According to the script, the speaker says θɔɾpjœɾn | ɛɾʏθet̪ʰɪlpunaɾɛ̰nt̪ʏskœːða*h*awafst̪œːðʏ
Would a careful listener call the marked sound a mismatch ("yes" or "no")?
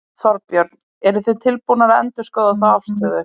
yes